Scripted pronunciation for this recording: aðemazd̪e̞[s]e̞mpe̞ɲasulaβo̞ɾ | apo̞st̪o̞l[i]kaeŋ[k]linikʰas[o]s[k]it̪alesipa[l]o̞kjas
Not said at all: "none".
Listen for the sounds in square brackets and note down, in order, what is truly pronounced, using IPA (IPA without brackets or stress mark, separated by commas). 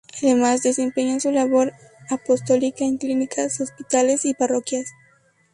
s, i, k, o, p, r